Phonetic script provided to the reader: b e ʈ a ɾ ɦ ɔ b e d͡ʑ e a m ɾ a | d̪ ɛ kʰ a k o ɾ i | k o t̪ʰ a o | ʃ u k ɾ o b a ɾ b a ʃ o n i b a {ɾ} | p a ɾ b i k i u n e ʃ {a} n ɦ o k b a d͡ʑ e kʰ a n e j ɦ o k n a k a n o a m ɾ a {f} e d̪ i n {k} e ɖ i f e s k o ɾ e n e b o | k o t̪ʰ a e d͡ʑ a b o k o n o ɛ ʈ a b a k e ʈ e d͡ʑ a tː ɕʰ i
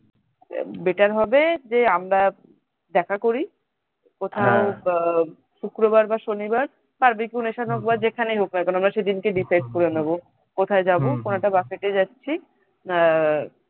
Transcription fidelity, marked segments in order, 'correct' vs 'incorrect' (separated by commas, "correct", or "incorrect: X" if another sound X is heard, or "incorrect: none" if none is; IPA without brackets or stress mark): correct, correct, incorrect: ʃ, correct